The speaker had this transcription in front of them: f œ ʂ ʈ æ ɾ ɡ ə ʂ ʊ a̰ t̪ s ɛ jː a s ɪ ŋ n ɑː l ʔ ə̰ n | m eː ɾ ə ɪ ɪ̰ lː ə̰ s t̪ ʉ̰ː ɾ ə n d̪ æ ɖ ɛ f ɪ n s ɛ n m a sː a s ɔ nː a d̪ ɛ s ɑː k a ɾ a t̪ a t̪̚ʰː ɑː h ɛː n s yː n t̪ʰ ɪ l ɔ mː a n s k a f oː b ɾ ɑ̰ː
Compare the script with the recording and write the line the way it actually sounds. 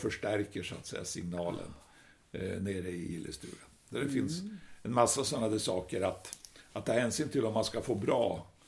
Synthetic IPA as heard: f œ ʂ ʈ æ ɾ k ə ʂ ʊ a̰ t̪ s ɛ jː a s ɪ ŋ n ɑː l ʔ ə̰ n | n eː ɾ ə ɪ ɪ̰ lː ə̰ s t̪ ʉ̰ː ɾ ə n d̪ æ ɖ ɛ f ɪ n s ɛ n m a sː a s ɔ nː a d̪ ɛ s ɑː k ə ɾ a t̪ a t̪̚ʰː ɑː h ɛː n s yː n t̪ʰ ɪ l ɔ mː a n s k a f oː b ɾ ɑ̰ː